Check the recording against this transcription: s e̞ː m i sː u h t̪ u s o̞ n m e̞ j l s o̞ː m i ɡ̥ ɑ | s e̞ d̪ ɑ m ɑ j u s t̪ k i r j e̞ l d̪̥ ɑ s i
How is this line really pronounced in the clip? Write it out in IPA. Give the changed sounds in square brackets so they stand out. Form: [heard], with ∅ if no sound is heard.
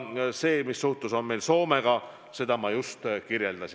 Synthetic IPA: s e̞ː m i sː u h t̪ u s o̞ n m e̞ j l s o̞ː m [e] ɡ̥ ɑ | s e̞ d̪ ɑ m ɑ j u s t̪ k i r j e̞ l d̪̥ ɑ s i